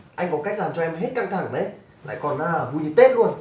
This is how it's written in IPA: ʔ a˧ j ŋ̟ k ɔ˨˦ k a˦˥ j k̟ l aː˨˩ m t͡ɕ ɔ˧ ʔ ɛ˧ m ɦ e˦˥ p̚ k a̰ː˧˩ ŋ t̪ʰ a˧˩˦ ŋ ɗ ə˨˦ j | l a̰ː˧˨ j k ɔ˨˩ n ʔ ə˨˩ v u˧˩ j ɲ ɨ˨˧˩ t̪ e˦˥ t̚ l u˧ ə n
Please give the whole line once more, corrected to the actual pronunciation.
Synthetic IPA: ʔ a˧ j ŋ̟ k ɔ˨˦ k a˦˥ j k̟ l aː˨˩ m t͡ɕ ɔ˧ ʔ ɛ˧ m ɦ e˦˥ t̚ k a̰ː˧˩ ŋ t̪ʰ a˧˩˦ ŋ ɗ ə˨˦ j | l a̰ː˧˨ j k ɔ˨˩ n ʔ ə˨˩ v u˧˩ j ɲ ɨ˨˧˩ t̪ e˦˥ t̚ l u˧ ə n